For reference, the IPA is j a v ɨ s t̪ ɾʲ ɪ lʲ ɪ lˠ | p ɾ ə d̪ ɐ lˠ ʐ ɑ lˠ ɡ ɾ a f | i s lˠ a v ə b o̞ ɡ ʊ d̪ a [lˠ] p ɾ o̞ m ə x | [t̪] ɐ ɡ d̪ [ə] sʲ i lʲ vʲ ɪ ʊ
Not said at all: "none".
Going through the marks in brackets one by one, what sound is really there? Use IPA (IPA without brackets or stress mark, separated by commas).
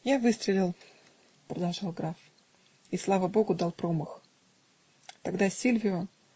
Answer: lˠ, t̪, a